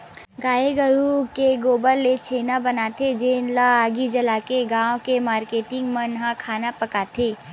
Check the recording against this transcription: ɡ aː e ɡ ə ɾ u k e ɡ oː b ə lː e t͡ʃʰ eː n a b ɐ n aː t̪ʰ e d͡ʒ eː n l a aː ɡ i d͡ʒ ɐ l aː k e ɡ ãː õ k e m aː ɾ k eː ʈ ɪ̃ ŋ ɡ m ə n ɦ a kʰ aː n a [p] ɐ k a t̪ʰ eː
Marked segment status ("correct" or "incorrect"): correct